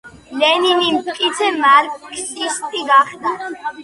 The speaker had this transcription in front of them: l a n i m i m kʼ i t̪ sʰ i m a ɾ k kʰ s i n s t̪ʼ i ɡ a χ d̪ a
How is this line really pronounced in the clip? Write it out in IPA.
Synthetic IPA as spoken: l ɛ n i n i m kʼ i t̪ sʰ ɛ m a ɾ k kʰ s i s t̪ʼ i ɡ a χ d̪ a

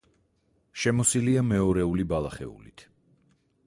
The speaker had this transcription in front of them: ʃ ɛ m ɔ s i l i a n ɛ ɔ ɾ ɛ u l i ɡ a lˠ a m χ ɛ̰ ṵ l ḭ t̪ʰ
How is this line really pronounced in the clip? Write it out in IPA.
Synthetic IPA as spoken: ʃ ɛ m ɔ s i l i a m ɛ ɔ ɾ ɛ u l i b a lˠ a χ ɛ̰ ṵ l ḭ t̪ʰ

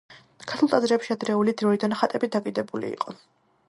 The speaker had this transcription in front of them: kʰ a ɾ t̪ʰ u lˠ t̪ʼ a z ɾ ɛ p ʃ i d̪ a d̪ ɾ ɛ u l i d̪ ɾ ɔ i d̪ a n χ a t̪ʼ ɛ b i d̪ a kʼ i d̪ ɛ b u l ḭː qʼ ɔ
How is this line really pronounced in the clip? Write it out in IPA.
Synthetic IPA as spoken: kʰ a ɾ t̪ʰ u lˠ t̪ʼ a z ɾ ɛ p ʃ i a d̪ ɾ ɛ u l i d̪ ɾ ɔ i d̪ a n χ a t̪ʼ ɛ b i d̪ a kʼ i d̪ ɛ b u l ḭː qʼ ɔ

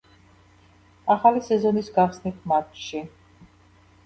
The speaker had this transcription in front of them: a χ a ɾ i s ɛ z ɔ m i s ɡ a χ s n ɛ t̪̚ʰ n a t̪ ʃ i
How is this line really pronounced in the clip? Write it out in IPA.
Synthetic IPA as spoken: a χ a l i s ɛ z ɔ n i s ɡ a χ s n i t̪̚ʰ m a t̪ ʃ i

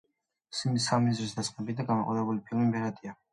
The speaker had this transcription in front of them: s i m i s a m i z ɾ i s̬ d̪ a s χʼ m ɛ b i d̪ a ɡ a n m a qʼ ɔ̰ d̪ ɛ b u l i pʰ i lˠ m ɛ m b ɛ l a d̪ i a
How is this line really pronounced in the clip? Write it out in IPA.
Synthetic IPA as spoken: s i m i s a m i z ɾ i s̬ d̪ a s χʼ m ɛ b i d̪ a ɡ a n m a qʼ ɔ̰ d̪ ɛ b u l i pʰ i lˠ m i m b ɛ ɾ a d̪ i a

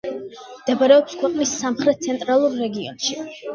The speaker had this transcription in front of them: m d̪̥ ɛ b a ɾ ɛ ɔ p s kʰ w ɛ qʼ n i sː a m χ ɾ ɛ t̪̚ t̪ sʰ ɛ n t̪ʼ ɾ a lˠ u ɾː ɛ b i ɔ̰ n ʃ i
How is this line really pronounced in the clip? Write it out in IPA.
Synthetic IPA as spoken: m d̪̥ ɛ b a ɾ ɛ ɔ p s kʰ w ɛ qʼ n i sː a m χ ɾ ɛ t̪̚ t̪ sʰ ɛ n t̪ʼ ɾ a lˠ u ɾː ɛ ɡ i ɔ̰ n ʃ i

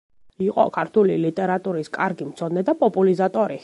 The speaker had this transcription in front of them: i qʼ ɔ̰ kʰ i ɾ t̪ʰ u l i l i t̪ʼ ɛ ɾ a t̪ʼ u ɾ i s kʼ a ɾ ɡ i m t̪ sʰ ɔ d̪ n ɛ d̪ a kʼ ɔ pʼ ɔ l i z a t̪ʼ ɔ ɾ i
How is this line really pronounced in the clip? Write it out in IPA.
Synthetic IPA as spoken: i qʼ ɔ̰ kʰ a ɾ t̪ʰ u l i l i t̪ʼ ɛ ɾ a t̪ʼ u ɾ i s kʼ a ɾ ɡ i m t̪ sʰ ɔ d̪ n ɛ d̪ a pʼ ɔ pʼ u l i z a t̪ʼ ɔ ɾ i

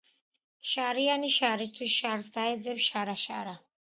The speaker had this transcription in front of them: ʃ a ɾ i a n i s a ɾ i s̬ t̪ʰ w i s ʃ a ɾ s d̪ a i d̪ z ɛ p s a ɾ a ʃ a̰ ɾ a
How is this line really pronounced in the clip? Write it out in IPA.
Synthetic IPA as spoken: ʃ a ɾ i a n i ʃ a ɾ i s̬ t̪ʰ w i s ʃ a ɾ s d̪ a ɛ d̪ z ɛ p ʃ a ɾ a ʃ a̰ ɾ a

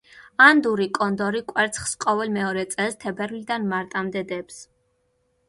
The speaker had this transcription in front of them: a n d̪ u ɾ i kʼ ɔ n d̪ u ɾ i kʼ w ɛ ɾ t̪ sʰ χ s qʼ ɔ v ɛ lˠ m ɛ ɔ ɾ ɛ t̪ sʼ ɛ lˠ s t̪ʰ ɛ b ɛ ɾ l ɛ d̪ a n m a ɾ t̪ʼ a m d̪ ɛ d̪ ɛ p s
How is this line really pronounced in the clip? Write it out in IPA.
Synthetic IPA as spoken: a n d̪ u ɾ i kʼ ɔ n d̪ ɔ ɾ i kʼ w ɛ ɾ t̪ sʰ χ s qʼ ɔ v ɛ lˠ m ɛ ɔ ɾ ɛ t̪ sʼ ɛ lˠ s t̪ʰ ɛ b ɛ ɾ l i d̪ a n m a ɾ t̪ʼ a m d̪ ɛ d̪ ɛ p s

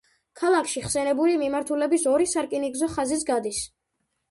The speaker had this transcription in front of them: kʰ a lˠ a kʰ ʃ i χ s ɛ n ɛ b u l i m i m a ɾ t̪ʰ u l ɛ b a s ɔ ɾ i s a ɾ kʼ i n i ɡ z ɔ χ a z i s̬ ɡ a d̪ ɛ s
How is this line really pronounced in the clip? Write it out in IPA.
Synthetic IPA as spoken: kʰ a lˠ a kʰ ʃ i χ s ɛ n ɛ b u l i m i m a ɾ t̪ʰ u l ɛ b i s ɔ ɾ i s a ɾ kʼ i n i ɡ z ɔ χ a z i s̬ ɡ a d̪ i s

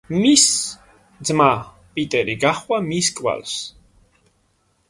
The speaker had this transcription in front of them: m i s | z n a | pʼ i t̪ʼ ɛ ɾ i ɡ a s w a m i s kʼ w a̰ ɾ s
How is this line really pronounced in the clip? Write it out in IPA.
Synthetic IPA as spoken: m i s | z m a | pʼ i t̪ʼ ɛ ɾ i ɡ a χ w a m i s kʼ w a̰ l s

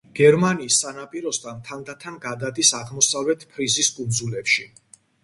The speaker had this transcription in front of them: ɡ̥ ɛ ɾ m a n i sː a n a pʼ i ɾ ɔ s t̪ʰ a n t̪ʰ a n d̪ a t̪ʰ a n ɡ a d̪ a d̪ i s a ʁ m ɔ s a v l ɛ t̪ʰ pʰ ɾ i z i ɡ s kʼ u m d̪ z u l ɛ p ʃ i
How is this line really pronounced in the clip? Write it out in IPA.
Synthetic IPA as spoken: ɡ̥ ɛ ɾ m a n iː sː a n a pʼ i ɾ ɔ s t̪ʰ a n t̪ʰ a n d̪ a t̪ʰ a n ɡ a d̪ a d̪ i s a ʁ m ɔ s a v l ɛ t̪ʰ pʰ ɾ i z i s kʼ u n d̪ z u l ɛ p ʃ i

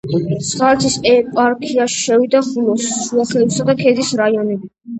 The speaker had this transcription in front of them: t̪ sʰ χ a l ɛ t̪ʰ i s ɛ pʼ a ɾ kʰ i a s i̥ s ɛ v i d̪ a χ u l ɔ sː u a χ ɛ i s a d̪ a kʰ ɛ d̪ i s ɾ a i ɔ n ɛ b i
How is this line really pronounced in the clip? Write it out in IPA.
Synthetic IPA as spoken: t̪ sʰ χ a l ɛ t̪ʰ i s ɛ pʼ a ɾ kʰ i a ʃ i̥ ʃ ɛ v i d̪ a χ u l ɔ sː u a χ ɛ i s a d̪ a kʰ ɛ d̪ i s ɾ a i ɔ n ɛ b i

